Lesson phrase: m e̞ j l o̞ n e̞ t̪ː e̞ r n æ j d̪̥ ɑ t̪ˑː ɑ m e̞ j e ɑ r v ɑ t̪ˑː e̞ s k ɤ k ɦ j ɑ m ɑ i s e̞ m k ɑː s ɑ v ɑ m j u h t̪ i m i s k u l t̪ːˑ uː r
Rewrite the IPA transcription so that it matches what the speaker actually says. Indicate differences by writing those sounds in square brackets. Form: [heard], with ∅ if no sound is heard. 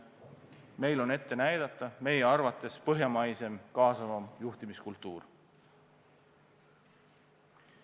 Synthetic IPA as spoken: m e̞ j l o̞ n e̞ t̪ː e̞ [∅] n æ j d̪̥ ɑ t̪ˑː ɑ m e̞ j e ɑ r v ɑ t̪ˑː e̞ s [p] ɤ [∅] ɦ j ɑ m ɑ [j] s e̞ m k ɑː s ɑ v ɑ m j u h t̪ i m i s k u l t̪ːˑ uː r